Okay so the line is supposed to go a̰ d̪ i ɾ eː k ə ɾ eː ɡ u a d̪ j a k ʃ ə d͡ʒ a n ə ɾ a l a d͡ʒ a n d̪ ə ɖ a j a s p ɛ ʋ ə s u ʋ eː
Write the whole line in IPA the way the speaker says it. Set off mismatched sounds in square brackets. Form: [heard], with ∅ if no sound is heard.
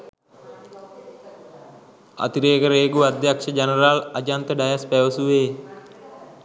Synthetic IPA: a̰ [t̪] i ɾ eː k ə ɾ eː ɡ u a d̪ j a k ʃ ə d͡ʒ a n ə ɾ a l a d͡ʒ a n [t̪] ə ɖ a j a s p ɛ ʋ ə s u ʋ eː